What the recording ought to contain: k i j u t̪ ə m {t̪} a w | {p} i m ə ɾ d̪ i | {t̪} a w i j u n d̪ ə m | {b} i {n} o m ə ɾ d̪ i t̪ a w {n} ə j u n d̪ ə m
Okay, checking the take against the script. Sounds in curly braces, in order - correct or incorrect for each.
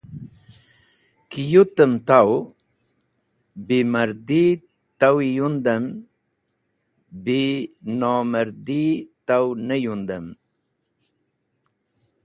correct, incorrect: b, correct, correct, correct, correct

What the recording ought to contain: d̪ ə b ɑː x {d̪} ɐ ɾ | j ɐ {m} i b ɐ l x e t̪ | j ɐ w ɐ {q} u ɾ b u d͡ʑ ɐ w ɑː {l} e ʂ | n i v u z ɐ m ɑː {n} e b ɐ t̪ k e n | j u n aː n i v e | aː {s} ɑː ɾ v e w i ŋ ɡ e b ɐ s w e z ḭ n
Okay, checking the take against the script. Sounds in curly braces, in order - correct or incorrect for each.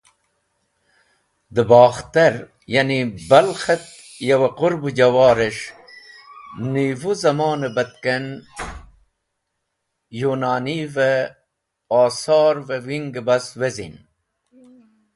incorrect: t̪, incorrect: n, correct, incorrect: ɾ, correct, correct

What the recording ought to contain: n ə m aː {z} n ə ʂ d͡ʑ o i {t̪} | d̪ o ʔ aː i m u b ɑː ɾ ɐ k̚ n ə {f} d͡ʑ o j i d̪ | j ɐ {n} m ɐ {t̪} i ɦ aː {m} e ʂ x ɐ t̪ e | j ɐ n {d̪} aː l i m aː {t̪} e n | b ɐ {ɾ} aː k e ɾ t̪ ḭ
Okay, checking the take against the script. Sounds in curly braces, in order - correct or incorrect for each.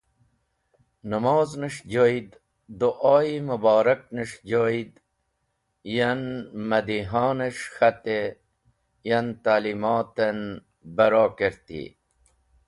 correct, incorrect: d̪, incorrect: ʂ, correct, incorrect: d̪, incorrect: n, incorrect: t̪, correct, correct

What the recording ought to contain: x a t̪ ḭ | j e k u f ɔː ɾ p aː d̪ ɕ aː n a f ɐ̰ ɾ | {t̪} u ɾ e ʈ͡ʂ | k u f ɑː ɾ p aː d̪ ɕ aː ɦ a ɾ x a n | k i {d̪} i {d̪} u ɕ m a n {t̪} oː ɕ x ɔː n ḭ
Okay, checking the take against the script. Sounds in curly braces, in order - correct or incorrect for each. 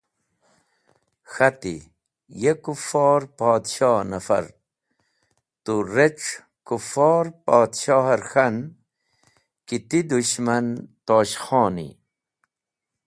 correct, incorrect: t̪, correct, correct

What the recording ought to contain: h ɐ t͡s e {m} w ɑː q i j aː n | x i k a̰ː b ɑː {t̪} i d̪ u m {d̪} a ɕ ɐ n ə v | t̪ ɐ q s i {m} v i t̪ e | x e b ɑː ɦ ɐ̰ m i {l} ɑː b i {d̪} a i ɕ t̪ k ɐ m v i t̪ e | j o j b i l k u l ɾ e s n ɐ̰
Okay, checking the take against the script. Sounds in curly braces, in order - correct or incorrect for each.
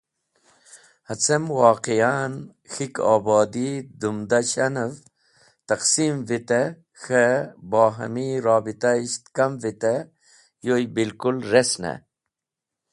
correct, incorrect: d̪, correct, correct, incorrect: ɾ, incorrect: t̪

